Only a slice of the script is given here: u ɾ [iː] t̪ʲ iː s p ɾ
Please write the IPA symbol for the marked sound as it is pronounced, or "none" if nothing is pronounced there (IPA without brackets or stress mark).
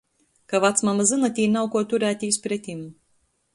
æː